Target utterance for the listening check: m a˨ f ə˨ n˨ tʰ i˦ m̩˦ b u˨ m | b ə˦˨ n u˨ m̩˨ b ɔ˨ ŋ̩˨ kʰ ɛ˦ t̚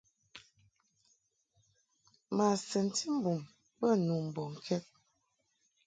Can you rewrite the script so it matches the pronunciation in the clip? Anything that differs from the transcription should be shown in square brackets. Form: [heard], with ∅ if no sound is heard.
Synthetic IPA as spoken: m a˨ [s] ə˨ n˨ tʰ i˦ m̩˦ b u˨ m | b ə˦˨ n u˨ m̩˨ b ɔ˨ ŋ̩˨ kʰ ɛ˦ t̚